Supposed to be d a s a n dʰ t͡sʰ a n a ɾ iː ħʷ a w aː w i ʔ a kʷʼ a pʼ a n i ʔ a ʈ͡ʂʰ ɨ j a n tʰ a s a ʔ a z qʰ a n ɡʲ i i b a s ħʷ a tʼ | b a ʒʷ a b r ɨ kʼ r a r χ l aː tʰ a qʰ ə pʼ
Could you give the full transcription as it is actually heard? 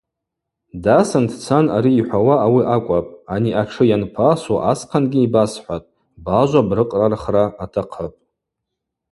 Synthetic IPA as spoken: d a s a n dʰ t͡sʰ a n a ɾ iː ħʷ a w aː w i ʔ a kʷʼ a pʼ a n i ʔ a ʈ͡ʂʰ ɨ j a n pʰ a s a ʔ a s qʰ a n ɡʲ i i b a s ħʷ a tʼ | b a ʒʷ a b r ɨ qʼ r a r χ r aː tʰ a qʰ ə pʼ